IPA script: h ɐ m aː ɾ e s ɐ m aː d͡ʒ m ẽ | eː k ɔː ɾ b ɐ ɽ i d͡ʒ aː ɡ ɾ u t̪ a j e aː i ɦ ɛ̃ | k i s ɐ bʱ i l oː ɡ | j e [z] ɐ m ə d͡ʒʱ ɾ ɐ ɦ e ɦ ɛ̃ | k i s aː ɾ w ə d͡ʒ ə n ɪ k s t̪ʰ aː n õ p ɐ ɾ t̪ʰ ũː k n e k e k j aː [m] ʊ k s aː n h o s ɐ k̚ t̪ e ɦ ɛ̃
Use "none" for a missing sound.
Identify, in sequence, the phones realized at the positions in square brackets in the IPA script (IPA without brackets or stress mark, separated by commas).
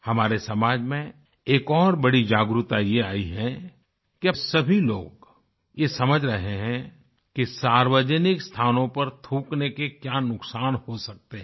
s, n